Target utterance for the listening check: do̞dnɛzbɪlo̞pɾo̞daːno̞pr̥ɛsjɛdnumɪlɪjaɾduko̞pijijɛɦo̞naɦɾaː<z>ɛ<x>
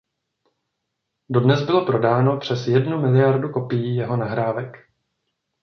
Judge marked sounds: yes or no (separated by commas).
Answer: no, no